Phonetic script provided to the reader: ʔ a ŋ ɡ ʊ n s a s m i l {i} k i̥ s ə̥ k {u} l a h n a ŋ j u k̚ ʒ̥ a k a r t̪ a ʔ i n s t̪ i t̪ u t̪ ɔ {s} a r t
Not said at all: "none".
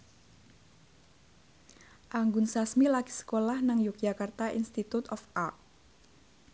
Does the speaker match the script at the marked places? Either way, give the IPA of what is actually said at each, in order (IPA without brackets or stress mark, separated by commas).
a, o, f